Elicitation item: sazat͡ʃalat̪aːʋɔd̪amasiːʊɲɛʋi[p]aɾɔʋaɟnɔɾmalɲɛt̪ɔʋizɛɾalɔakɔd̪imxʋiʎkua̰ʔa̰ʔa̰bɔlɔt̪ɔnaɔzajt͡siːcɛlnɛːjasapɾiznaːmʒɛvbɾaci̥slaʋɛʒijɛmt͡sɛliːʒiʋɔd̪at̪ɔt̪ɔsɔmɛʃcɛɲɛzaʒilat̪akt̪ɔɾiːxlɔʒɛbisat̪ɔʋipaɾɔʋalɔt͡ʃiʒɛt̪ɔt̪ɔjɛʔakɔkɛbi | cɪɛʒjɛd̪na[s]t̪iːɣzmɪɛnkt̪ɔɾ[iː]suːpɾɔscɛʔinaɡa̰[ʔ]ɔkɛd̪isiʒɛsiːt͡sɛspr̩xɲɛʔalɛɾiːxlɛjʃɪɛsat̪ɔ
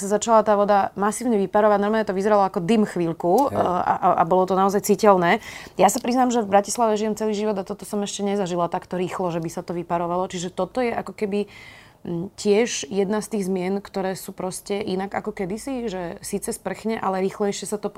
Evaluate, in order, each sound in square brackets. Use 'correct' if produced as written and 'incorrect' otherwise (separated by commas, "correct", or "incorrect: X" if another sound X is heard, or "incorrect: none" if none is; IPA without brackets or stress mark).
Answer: correct, correct, incorrect: ɛː, incorrect: k